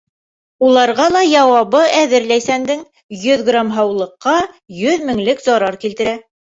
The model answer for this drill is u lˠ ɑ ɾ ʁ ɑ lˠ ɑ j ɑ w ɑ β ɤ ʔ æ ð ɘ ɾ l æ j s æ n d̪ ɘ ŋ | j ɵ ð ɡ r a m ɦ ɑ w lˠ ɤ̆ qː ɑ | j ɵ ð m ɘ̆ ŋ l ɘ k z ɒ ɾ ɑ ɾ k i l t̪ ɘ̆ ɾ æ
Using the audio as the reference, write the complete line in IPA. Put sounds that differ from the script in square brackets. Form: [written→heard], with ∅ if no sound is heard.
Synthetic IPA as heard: u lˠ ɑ ɾ ʁ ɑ lˠ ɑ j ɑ w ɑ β ɤ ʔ æ ð ɘ ɾ l æ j s æ n d̪ ɘ ŋ | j ɵ ð ɡ r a m ɦ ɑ w lˠ ɤ̆ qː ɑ | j ɵ ð m ɘ̆ ŋ l ɘ k z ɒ ɾ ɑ ɾ k i l t̪ ɘ̆ ɾ æ

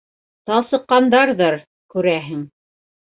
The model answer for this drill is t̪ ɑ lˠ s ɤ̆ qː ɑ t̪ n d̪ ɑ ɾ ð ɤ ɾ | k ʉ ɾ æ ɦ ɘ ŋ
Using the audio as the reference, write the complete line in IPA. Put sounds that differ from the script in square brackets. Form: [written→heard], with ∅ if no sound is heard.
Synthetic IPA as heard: t̪ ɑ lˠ s ɤ̆ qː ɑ [t̪→∅] n d̪ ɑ ɾ ð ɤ ɾ | k ʉ ɾ æ ɦ ɘ ŋ

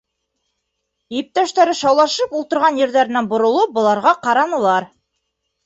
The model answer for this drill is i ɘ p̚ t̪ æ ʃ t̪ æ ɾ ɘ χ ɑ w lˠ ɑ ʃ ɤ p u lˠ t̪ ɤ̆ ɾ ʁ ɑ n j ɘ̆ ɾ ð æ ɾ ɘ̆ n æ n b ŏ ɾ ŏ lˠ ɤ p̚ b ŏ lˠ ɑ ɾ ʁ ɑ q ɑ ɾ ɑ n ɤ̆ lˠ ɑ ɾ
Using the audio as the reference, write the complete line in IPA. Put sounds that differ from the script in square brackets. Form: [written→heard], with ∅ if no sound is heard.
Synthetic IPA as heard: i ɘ p̚ t̪ æ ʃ t̪ æ ɾ ɘ [χ→ʃ] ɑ w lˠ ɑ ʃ ɤ p u lˠ t̪ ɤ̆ ɾ ʁ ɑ n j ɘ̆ ɾ ð æ ɾ ɘ̆ n æ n b ŏ ɾ ŏ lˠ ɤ p̚ b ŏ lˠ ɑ ɾ ʁ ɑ q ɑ ɾ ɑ n ɤ̆ lˠ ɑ ɾ

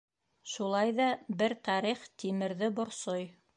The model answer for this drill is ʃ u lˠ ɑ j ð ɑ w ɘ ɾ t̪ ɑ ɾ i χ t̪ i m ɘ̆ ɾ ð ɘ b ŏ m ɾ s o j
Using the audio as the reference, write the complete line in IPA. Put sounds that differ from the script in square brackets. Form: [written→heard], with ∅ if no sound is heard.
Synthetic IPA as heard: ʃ u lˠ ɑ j ð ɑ [w→b] ɘ ɾ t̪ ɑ ɾ i χ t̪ i m ɘ̆ ɾ ð ɘ b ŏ [m→∅] ɾ s o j

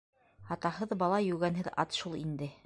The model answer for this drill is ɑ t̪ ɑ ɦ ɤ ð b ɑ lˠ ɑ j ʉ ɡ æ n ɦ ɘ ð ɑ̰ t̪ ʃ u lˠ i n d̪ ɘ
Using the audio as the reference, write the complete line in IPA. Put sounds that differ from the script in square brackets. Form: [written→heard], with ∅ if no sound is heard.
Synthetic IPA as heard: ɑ t̪ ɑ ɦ ɤ ð b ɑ lˠ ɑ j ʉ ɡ æ n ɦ ɘ ð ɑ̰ t̪ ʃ u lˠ i n d̪ ɘ

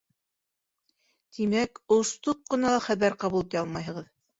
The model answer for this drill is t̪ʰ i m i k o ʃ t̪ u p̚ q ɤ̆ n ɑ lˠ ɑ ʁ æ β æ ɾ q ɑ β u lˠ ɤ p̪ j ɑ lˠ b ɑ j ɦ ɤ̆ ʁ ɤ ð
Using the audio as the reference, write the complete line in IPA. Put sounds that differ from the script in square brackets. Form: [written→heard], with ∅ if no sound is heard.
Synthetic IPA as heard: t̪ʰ i m [i→æ] k o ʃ t̪ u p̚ q ɤ̆ n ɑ lˠ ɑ [ʁ→χ] æ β æ ɾ q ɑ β u lˠ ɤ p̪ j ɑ lˠ [b→m] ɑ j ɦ ɤ̆ ʁ ɤ ð

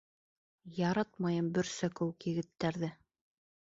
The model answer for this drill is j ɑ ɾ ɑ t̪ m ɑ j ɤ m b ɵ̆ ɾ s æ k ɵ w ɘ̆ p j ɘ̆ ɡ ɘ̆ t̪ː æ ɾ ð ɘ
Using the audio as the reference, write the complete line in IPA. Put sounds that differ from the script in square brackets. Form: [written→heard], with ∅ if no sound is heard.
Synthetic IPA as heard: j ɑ ɾ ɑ t̪ m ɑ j ɤ m b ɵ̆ ɾ s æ k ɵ w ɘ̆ [p→k] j ɘ̆ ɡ ɘ̆ t̪ː æ ɾ ð ɘ

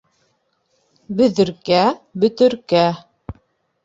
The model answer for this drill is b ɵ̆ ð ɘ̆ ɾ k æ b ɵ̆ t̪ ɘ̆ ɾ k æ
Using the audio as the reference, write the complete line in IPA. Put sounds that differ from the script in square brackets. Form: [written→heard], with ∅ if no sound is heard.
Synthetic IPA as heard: b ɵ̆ ð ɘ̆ ɾ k æ b ɵ̆ t̪ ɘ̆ ɾ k æ

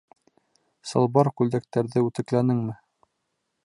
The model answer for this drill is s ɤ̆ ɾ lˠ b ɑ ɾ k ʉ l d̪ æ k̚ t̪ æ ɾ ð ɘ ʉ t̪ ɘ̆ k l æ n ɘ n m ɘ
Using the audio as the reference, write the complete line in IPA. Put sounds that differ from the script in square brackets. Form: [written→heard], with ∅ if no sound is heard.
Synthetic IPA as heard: s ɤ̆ [ɾ→∅] lˠ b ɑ ɾ k ʉ l d̪ æ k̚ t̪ æ ɾ ð ɘ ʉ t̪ ɘ̆ k l æ n ɘ [n→ŋ] m ɘ

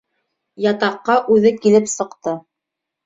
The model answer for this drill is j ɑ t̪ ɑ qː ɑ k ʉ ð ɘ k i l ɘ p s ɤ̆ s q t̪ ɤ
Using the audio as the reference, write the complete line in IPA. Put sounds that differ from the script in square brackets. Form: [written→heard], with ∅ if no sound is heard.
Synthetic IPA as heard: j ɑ t̪ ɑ qː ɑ [k→ʔ] ʉ ð ɘ k i l ɘ p s ɤ̆ [s→∅] q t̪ ɤ

